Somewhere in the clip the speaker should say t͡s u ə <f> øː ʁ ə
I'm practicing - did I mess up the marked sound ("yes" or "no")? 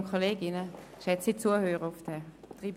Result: yes